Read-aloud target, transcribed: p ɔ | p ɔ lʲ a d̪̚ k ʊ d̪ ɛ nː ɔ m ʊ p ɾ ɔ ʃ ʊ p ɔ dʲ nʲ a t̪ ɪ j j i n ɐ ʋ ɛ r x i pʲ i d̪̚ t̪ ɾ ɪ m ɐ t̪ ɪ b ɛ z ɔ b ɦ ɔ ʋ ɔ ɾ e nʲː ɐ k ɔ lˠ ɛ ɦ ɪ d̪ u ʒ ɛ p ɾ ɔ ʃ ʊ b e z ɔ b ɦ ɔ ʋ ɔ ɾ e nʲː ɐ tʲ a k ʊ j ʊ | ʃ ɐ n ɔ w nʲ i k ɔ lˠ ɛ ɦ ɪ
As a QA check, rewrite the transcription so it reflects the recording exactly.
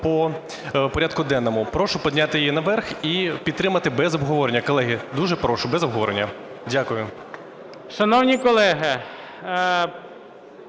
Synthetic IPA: p ɔ | p ɔ ɾʲ a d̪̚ k ʊ d̪ ɛ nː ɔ m ʊ p ɾ ɔ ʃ ʊ p ɔ dʲ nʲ a t̪ ɪ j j i n ɐ ʋ ɛ r x i pʲ i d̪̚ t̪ ɾ ɪ m ɐ t̪ ɪ b ɛ z ɔ b ɦ ɔ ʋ ɔ ɾ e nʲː ɐ k ɔ lˠ ɛ ɦ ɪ d̪ u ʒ ɛ p ɾ ɔ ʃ ʊ b ɛ z ɔ b ɦ ɔ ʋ ɔ ɾ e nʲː ɐ dʲ a k ʊ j ʊ | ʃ ɐ n ɔ w nʲ i k ɔ lˠ ɛ ɦ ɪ